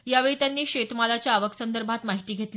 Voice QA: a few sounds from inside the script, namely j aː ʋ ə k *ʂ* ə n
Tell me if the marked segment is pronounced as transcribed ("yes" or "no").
no